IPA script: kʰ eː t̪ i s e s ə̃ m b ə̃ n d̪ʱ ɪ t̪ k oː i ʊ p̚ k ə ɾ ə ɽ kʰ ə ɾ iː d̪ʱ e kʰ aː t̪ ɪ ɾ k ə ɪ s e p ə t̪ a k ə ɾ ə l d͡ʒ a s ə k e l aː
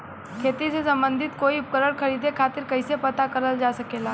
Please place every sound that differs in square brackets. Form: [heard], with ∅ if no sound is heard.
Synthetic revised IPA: kʰ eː t̪ i s e s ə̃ m b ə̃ n d̪ʱ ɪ t̪ k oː i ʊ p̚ k ə ɾ ə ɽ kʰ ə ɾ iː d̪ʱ e kʰ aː t̪ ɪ ɾ k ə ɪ s e p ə t̪ a k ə ɾ ə l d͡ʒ a s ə k e l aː